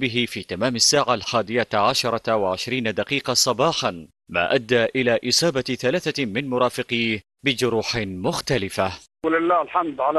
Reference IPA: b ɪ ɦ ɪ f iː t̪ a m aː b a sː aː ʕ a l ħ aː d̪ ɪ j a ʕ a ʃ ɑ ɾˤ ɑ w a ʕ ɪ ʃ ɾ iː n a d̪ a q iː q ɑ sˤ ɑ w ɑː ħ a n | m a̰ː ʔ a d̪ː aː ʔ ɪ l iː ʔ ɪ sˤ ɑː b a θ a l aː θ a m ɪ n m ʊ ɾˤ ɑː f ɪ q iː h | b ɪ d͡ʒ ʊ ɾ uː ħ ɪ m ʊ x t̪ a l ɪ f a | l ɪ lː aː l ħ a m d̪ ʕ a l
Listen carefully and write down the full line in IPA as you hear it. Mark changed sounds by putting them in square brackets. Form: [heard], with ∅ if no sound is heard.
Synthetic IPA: b ɪ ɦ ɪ f iː t̪ a m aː [m] a sː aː ʕ a l ħ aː d̪ ɪ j a ʕ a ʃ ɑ ɾˤ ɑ w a ʕ ɪ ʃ ɾ iː n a d̪ a q iː q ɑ sˤ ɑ [b] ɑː ħ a n | m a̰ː ʔ a d̪ː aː ʔ ɪ l [aː] ʔ ɪ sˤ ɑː b a θ a l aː θ a m ɪ n m ʊ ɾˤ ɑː f ɪ q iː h | b ɪ d͡ʒ ʊ ɾ uː ħ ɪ m ʊ x t̪ a l ɪ f a | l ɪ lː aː l ħ a m d̪ ʕ a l